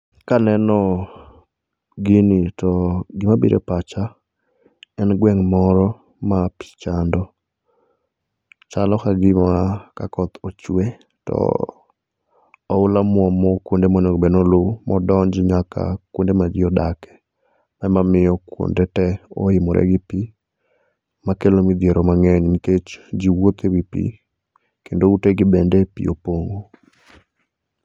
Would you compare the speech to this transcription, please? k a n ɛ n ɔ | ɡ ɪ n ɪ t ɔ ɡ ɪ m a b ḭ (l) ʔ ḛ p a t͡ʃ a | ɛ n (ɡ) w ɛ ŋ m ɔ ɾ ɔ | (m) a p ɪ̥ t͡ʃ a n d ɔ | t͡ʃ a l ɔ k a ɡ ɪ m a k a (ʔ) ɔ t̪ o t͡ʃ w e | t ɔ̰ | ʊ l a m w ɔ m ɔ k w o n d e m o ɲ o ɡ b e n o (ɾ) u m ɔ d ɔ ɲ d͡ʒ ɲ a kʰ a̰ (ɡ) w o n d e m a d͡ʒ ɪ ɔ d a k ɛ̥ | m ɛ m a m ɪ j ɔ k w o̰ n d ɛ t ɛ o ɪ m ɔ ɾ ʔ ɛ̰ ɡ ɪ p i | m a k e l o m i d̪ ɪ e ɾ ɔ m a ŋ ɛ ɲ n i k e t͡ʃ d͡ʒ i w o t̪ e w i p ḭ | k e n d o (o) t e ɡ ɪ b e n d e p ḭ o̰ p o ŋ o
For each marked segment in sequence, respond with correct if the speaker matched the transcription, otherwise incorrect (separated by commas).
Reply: incorrect, correct, correct, incorrect, incorrect, incorrect, incorrect